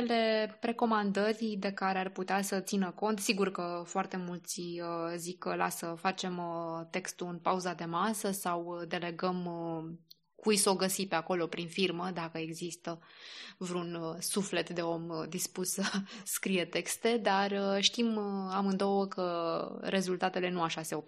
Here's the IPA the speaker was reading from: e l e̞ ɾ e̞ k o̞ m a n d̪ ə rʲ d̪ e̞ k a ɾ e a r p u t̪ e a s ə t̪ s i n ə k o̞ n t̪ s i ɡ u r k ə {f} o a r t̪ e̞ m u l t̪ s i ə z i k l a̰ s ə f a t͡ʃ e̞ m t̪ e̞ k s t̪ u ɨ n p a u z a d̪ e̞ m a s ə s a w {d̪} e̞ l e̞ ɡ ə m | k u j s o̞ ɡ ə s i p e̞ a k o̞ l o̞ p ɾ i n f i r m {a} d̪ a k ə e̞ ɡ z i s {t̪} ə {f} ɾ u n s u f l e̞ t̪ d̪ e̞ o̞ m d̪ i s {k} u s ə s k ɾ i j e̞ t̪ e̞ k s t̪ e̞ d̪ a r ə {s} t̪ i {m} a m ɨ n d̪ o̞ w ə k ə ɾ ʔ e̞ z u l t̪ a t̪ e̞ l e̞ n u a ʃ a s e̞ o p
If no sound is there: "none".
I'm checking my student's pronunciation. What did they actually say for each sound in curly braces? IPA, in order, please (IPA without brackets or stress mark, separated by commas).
f, d̪, ə, t̪, v, p, ʃ, m